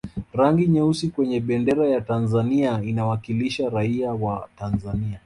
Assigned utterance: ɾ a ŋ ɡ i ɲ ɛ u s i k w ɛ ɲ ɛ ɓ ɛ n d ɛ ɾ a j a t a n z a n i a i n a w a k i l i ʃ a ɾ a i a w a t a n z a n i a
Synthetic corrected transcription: ɾ a ŋ ɡ i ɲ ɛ u s i k w ɛ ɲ ɛ ɓ ɛ n d ɛ ɾ a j a t a n z a n i a i n a w a k i l i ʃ a ɾ a i a w a t a n z a n i a